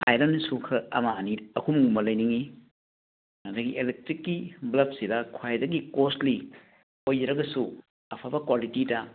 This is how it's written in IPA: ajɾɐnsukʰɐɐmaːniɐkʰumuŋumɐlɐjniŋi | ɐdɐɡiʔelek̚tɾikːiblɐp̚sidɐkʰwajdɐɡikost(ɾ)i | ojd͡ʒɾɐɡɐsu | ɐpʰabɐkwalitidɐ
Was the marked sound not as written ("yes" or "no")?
yes